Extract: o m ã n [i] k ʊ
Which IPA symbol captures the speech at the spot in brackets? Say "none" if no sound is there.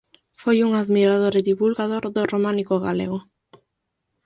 i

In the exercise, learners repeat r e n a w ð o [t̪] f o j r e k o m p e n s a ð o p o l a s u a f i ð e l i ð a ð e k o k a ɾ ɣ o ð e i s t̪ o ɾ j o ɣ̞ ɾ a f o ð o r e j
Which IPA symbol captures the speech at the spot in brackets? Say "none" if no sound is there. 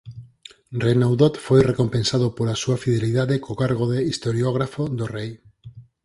t̪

